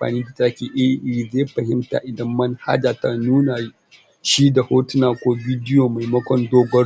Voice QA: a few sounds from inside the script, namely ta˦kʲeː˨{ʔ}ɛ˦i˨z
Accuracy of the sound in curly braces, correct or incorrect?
correct